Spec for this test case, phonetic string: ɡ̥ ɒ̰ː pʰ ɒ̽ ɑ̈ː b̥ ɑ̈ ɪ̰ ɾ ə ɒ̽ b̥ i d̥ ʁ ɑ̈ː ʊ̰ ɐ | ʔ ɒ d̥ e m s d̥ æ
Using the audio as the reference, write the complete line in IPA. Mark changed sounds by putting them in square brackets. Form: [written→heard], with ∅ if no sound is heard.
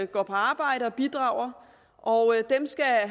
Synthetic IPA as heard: ɡ̥ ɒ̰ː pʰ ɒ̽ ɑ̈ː b̥ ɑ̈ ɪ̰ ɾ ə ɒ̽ b̥ i d̥ ʁ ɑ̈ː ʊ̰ ɐ | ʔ ɒ d̥ e m s [d̥→ɡ̥] æ